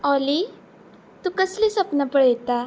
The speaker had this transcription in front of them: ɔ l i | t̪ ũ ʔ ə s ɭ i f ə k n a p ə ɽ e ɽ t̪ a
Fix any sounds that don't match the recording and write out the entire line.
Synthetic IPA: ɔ l i | t̪ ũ k ə s l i s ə p n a p ə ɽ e t̪ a